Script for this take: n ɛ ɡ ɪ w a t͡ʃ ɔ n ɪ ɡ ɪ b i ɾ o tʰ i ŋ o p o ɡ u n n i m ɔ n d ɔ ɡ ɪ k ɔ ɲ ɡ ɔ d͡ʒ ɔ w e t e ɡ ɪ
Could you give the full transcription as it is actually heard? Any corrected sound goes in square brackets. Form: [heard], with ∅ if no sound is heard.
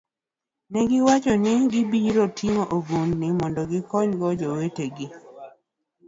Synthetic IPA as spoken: n ɛ ɡ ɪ w a t͡ʃ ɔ n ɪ ɡ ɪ b i ɾ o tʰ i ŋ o [ʔ] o ɡ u n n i m ɔ n d ɔ ɡ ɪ k ɔ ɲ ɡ ɔ d͡ʒ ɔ w e t e ɡ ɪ